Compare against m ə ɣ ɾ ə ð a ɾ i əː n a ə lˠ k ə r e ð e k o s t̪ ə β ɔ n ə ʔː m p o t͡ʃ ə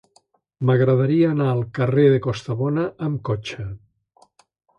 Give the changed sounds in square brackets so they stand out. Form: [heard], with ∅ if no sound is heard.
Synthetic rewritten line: m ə ɣ ɾ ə ð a ɾ i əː n a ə lˠ k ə r e ð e k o s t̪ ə β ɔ n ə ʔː m [k] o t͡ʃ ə